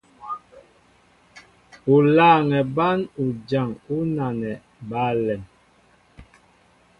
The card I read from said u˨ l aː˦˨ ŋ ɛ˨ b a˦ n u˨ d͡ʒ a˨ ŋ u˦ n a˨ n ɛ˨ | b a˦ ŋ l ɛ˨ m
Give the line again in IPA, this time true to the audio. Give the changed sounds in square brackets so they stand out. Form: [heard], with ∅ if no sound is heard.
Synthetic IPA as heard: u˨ l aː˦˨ ŋ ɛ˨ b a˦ n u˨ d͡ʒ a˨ ŋ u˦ n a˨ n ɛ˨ | b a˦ [∅] l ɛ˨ m